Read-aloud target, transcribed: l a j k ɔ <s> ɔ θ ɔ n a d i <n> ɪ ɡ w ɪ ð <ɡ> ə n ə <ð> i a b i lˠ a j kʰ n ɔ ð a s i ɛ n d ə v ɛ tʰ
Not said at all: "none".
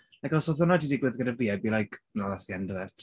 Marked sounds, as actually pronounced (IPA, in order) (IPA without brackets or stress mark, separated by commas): s, d, ɡ, v